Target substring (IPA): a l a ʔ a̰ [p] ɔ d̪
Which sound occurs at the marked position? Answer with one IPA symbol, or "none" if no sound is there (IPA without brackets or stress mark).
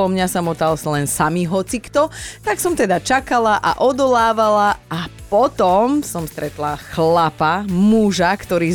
ʔ